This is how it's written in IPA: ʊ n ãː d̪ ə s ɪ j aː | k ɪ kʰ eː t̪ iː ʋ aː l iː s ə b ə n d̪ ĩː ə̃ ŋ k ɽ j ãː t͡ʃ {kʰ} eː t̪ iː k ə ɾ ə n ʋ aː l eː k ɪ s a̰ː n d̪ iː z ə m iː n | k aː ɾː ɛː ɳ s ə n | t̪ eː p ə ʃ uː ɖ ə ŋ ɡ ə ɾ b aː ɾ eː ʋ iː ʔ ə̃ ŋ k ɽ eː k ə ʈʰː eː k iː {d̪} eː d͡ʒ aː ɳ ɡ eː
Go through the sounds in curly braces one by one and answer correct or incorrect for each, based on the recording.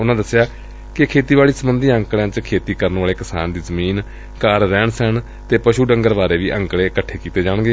correct, incorrect: t̪

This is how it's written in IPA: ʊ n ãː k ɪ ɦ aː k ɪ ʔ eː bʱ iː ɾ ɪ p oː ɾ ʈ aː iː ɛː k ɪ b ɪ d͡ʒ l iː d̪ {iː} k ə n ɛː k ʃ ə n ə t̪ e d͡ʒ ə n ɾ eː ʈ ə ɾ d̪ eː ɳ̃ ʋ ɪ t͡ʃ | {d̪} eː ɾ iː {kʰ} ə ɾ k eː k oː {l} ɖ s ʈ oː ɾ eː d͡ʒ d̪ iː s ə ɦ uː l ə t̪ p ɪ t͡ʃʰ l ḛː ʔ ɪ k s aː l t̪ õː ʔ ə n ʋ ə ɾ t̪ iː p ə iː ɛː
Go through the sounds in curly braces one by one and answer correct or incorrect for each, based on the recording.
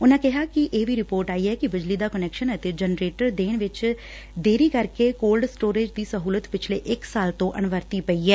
incorrect: aː, correct, incorrect: k, correct

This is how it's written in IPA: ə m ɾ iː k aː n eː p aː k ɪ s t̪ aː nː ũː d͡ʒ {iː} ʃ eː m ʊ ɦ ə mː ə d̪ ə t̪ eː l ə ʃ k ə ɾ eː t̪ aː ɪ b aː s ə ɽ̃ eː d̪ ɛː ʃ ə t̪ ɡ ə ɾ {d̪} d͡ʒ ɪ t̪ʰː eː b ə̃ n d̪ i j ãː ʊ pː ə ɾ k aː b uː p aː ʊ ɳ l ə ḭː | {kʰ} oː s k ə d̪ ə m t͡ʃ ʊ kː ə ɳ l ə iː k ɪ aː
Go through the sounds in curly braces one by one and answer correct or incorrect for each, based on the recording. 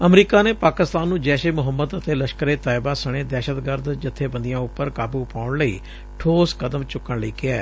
incorrect: ɛː, correct, incorrect: ʈʰ

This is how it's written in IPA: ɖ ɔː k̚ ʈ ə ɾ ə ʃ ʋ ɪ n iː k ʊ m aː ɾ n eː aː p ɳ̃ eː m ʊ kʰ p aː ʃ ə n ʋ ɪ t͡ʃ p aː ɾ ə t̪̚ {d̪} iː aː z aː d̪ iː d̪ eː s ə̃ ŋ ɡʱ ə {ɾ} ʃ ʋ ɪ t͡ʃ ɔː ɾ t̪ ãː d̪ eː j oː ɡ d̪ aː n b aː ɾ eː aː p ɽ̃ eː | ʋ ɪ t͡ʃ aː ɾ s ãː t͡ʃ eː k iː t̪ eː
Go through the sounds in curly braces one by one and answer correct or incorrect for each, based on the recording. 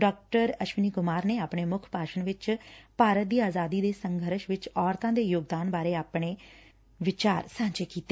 correct, correct

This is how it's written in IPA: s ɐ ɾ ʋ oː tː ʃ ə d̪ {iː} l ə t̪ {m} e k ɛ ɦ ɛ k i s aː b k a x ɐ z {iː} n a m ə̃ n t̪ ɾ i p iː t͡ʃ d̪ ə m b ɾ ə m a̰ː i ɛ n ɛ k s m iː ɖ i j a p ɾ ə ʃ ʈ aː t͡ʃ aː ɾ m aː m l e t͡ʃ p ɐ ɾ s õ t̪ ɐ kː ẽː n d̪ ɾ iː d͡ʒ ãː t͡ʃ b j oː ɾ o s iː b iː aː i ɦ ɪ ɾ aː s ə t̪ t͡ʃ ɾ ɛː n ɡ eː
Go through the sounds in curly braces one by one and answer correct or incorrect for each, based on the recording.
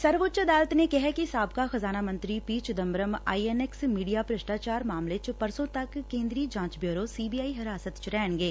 incorrect: aː, incorrect: n, incorrect: aː

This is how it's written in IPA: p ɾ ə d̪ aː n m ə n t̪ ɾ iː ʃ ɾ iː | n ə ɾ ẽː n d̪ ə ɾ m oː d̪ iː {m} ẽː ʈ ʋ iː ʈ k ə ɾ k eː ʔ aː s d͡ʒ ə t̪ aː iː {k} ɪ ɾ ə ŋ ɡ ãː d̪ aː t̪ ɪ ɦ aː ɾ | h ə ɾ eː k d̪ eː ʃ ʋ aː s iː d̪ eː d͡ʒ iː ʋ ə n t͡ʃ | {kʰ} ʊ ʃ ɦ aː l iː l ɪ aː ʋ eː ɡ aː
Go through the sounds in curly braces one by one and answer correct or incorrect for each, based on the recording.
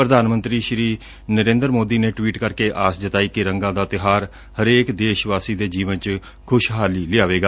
incorrect: n, correct, correct

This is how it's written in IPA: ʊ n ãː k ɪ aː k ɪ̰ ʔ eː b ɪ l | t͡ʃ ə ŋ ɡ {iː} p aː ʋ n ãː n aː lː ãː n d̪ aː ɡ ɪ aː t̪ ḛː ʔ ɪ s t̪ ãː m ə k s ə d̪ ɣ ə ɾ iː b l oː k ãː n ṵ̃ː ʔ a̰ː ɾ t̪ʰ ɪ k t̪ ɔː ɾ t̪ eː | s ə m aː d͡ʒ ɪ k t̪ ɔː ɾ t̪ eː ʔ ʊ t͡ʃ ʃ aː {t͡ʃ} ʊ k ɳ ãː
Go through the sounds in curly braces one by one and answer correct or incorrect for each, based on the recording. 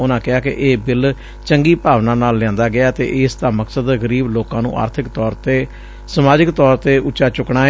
correct, correct

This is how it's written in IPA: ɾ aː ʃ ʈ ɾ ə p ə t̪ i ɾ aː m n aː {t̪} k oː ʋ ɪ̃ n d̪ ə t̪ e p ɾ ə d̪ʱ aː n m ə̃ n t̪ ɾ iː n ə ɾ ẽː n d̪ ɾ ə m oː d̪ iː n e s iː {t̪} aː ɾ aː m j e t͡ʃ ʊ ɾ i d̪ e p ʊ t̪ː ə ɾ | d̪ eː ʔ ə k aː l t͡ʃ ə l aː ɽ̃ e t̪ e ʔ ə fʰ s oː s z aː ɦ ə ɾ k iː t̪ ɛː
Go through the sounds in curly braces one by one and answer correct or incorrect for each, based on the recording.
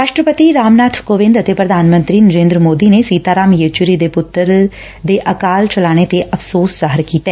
incorrect: t̪ʰ, correct

